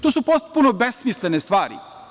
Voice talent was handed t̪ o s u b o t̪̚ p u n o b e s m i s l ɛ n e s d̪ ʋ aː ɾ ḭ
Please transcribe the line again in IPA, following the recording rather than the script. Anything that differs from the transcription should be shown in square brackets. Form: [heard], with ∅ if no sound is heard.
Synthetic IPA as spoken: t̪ o s u [p] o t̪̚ p u n o b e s m i s l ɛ n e s [t̪] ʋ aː ɾ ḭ